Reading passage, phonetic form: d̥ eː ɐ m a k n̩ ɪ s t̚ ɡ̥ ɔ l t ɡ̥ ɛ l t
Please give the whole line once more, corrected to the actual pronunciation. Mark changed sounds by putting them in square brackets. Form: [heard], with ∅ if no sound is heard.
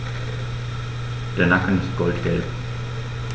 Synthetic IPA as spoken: d̥ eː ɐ [n] a k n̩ ɪ s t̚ ɡ̥ ɔ l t ɡ̥ ɛ l [p]

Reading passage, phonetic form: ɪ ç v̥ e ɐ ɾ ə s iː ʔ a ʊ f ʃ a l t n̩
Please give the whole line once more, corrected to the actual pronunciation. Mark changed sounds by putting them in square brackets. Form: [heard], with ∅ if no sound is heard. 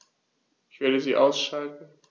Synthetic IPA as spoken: ɪ ç v̥ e ɐ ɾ ə [z] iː ʔ a ʊ [s] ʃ a l t n̩

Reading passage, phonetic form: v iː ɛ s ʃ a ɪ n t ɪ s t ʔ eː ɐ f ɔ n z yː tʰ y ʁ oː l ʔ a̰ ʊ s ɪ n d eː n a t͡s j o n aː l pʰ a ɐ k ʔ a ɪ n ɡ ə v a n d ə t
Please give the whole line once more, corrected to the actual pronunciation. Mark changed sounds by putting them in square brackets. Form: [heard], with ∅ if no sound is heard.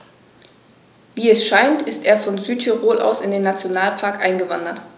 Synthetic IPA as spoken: v iː ɛ s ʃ a ɪ n t ɪ s t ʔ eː ɐ f ɔ n z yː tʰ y ʁ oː l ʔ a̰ ʊ s ɪ n d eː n a t͡s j o n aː l pʰ a ɐ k ʔ a ɪ n ɡ ə v a n d [ɐ] t

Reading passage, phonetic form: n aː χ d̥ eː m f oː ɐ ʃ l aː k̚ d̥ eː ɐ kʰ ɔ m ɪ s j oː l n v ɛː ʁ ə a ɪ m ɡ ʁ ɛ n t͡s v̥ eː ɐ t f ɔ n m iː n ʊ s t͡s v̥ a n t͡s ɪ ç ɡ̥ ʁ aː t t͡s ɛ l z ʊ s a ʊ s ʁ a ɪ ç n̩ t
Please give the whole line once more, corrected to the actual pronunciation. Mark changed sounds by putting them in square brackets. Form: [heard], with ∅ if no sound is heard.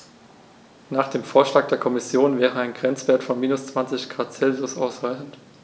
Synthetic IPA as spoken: n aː χ d̥ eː m f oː ɐ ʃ l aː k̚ d̥ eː ɐ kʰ ɔ m ɪ s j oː [∅] n v ɛː ʁ ə a ɪ [n] ɡ ʁ ɛ n t͡s v̥ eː ɐ t f ɔ n m iː n ʊ s t͡s v̥ a n t͡s ɪ ç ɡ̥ ʁ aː t t͡s ɛ l z ʊ s a ʊ s ʁ a ɪ ç n̩ t

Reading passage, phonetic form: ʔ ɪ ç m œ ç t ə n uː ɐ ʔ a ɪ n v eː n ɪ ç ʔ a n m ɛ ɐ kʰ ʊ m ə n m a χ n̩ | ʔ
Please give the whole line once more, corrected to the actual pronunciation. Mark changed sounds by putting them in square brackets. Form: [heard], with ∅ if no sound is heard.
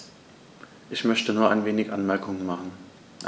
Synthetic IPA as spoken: ʔ ɪ ç m œ ç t ə n uː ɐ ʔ a ɪ n v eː n ɪ ç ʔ a n m ɛ ɐ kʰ ʊ [ŋ] ə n m a χ n̩ | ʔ

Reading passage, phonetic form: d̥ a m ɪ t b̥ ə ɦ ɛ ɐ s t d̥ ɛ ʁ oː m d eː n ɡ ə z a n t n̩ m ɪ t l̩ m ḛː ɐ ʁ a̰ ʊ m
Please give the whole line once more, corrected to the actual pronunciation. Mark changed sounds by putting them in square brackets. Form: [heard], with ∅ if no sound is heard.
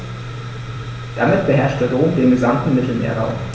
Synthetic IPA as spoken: d̥ a m ɪ t b̥ ə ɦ ɛ ɐ [ʃ] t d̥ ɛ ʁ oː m d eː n ɡ ə z a [m] t n̩ m ɪ t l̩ m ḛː ɐ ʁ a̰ ʊ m

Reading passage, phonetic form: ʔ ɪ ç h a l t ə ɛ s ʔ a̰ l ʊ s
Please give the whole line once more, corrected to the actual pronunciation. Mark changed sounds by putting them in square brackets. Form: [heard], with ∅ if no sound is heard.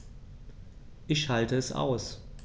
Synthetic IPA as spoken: ʔ ɪ ç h a l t ə ɛ s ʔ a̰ [∅] ʊ s

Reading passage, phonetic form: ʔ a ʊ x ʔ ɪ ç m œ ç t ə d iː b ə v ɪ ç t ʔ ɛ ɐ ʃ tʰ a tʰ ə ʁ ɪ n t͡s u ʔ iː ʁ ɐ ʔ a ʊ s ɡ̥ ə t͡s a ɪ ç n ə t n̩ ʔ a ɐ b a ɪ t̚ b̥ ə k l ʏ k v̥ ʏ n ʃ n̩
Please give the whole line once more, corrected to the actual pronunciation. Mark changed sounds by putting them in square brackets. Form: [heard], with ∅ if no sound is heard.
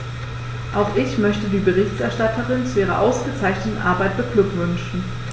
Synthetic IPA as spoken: ʔ a ʊ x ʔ ɪ ç m œ ç t ə d iː b ə [ʁ] ɪ ç t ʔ ɛ ɐ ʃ [t] a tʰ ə ʁ ɪ n t͡s u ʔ iː ʁ ɐ ʔ a ʊ s ɡ̥ ə t͡s a ɪ ç n ə t n̩ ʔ a ɐ b a ɪ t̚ b̥ ə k l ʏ k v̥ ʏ n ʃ n̩

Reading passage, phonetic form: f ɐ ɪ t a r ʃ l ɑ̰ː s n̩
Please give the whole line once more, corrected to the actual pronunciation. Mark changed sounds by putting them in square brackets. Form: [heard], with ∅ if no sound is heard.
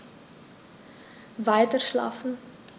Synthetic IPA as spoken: [v] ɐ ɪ t [ə] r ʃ l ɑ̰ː [f] n̩

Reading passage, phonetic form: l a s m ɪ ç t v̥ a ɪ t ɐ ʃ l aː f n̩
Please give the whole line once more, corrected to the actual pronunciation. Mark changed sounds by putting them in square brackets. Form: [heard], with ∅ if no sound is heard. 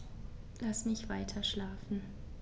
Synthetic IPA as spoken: l a s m ɪ ç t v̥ a ɪ [tʰ] ɐ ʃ l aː f n̩

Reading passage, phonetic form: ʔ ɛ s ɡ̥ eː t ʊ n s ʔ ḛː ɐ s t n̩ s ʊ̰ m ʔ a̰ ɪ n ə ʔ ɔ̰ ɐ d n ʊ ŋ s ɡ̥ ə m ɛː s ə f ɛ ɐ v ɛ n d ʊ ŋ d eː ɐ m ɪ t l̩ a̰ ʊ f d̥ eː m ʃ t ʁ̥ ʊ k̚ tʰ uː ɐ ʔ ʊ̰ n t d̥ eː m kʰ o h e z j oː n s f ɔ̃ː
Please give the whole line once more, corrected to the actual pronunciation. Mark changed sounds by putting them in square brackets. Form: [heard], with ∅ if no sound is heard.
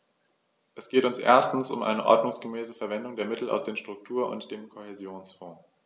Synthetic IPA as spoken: ʔ ɛ s ɡ̥ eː t ʊ n s ʔ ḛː ɐ s t n̩ s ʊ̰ m ʔ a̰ ɪ n ə ʔ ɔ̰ ɐ d n ʊ ŋ s ɡ̥ ə m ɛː s ə f ɛ ɐ v ɛ n d ʊ ŋ d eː ɐ m ɪ t l̩ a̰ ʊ [s] d̥ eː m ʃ t ʁ̥ ʊ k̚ tʰ uː ɐ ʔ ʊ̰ n t d̥ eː m kʰ o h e z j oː n s f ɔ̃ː

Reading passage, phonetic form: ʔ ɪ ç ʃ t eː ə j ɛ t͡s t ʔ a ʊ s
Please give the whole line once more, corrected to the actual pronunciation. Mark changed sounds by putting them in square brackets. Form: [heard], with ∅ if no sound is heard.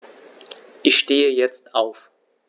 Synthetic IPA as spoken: ʔ ɪ ç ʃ t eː ə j ɛ t͡s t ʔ a ʊ [f]

